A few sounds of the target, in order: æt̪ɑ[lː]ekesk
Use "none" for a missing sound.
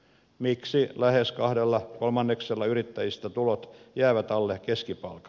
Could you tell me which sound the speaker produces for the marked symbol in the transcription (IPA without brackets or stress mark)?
lː